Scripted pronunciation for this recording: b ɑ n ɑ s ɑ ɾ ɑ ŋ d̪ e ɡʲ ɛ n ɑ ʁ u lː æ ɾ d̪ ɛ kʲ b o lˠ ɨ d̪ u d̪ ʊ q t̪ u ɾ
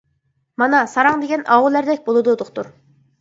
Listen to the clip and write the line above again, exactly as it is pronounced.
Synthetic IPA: m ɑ n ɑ s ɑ ɾ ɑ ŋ d̪ e ɡʲ ɛ n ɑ ʁ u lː æ ɾ d̪ ɛ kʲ b o lˠ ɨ d̪ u d̪ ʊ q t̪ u ɾ